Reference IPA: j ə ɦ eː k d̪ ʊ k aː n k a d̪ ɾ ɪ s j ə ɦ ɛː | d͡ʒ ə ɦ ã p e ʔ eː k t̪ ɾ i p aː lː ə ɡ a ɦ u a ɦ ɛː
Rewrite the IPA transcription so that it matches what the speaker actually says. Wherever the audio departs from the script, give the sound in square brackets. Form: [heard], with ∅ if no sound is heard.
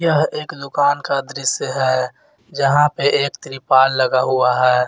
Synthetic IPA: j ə ɦ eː k d̪ ʊ k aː n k a d̪ ɾ ɪ s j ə ɦ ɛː | d͡ʒ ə ɦ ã p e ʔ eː k t̪ ɾ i p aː lː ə ɡ a ɦ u a ɦ ɛː